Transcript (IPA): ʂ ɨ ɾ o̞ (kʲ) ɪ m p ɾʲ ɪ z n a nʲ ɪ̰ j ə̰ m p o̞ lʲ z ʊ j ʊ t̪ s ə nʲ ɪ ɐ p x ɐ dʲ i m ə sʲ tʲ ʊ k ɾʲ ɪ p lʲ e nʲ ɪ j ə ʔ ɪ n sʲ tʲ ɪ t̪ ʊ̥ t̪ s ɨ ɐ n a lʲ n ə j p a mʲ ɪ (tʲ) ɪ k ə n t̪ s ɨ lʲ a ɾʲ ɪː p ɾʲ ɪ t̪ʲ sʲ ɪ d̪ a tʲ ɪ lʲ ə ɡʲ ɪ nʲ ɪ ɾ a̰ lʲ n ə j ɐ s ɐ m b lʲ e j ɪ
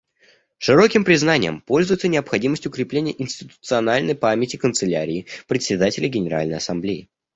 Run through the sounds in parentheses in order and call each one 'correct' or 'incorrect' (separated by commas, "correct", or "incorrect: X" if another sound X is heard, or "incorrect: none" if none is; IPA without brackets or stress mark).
correct, correct